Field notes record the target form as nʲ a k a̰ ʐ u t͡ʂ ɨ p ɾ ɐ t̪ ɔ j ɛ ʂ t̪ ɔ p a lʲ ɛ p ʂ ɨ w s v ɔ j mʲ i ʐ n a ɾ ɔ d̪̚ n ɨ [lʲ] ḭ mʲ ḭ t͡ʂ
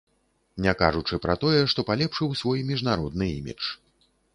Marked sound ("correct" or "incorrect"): incorrect